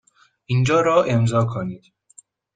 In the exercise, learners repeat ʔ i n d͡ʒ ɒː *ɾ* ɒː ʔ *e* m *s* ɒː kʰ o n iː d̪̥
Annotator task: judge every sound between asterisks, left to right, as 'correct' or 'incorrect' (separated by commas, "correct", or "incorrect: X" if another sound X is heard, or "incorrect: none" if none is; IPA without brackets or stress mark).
correct, correct, incorrect: z